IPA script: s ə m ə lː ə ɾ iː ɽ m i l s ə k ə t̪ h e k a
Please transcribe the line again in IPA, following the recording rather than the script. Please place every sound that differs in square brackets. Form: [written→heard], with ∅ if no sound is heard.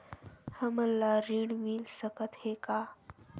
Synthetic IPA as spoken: [s→h] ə m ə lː [ə→a] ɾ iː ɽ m i l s ə k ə t̪ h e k a